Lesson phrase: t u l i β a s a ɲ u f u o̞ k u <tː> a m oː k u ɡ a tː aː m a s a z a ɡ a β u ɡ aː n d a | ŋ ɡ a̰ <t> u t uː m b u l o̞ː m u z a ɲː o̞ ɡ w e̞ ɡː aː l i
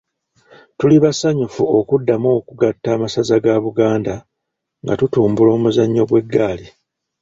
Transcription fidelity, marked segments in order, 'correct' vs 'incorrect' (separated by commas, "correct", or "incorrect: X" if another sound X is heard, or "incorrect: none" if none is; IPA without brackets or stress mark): incorrect: dː, correct